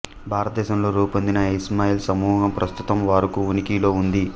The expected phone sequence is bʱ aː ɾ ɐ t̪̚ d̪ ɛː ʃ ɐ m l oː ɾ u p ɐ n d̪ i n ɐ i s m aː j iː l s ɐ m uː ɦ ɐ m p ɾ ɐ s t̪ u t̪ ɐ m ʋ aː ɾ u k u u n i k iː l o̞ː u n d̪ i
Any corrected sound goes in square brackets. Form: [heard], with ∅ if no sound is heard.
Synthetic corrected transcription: bʱ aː ɾ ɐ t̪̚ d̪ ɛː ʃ ɐ m l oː ɾ [uː] p ɐ n d̪ i n ɐ i s m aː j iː l s ɐ m uː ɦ ɐ m p ɾ ɐ s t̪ u t̪ ɐ m ʋ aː ɾ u k u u n i k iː l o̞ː u n d̪ i